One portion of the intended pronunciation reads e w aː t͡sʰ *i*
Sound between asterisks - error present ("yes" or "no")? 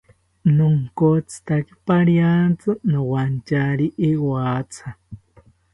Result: yes